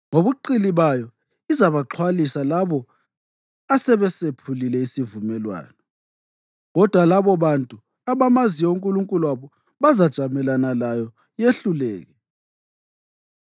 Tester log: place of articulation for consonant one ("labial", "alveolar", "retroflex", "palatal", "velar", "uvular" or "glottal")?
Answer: velar